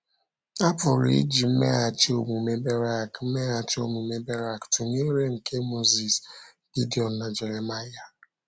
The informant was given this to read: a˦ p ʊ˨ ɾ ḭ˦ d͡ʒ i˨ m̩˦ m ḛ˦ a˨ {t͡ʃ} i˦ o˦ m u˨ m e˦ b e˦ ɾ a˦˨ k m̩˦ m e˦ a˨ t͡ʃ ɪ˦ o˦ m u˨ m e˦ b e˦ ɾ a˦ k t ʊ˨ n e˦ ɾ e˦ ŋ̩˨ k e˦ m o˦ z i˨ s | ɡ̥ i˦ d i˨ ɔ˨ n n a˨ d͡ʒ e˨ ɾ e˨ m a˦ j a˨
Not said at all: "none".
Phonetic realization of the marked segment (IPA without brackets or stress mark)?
t͡ʃ